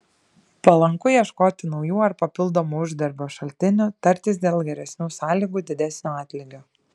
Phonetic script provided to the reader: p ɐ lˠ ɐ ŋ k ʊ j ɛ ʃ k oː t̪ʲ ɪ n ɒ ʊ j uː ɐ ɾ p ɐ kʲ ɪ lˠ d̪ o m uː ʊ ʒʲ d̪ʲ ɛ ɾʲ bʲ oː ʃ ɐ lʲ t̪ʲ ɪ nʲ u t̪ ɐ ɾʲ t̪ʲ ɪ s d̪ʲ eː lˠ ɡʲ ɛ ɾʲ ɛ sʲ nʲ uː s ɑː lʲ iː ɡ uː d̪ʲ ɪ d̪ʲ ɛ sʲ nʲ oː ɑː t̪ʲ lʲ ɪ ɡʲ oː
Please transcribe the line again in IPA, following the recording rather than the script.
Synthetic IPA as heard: p ɐ lˠ ɐ ŋ k ʊ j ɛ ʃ k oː t̪ʲ ɪ n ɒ ʊ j uː ɐ ɾ p ɐ pʲ ɪ lˠ d̪ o m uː ʊ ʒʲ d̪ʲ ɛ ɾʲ bʲ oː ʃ ɐ lʲ t̪ʲ ɪ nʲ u t̪ ɐ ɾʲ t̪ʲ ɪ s d̪ʲ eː lˠ ɡʲ ɛ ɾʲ ɛ sʲ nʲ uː s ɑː lʲ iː ɡ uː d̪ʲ ɪ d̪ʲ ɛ sʲ nʲ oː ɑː t̪ʲ lʲ ɪ ɡʲ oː